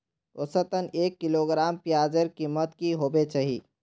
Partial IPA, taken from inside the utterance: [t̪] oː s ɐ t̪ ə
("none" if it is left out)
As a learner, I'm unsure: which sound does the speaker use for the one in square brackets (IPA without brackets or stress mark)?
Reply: t̪